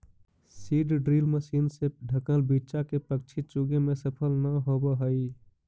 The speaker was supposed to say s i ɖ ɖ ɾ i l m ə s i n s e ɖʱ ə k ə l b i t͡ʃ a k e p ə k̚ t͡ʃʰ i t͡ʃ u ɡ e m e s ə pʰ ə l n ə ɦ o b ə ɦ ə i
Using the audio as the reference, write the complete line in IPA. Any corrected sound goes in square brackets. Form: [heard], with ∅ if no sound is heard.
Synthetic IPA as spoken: s i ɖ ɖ ɾ i l m ə s i n s e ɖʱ ə k ə l b i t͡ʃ a k e p ə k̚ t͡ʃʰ i t͡ʃ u ɡ e m e s ə pʰ ə l n ə ɦ o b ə ɦ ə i